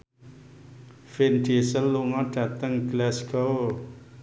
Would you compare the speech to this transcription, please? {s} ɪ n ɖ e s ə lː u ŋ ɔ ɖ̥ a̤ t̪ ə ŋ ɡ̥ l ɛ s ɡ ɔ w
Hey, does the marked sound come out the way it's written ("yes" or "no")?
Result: no